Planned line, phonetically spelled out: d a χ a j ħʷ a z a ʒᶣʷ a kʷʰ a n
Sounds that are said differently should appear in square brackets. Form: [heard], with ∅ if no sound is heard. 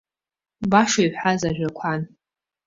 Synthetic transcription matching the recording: [b] a [ʂ] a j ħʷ a z a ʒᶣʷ a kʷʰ a n